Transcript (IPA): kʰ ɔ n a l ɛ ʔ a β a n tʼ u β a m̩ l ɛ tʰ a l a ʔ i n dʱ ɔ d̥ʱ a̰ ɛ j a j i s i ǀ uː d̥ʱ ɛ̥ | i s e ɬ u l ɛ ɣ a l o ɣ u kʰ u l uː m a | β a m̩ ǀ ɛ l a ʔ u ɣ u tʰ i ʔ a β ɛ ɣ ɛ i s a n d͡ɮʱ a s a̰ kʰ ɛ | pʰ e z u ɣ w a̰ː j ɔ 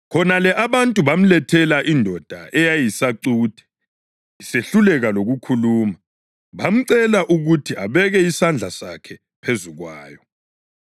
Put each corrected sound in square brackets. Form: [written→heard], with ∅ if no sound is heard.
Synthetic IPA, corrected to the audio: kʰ ɔ n a l ɛ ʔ a β a n tʼ u β a m̩ l ɛ tʰ [a→ɛ] l a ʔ i n dʱ ɔ d̥ʱ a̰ ɛ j a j i s [i→a] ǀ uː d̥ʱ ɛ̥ | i s e ɬ u l ɛ ɣ a l o ɣ u kʰ u l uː m a | β a m̩ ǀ ɛ l a ʔ u ɣ u tʰ i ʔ a β ɛ ɣ ɛ i s a n d͡ɮʱ a s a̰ kʰ ɛ | pʰ e z u ɣ w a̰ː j ɔ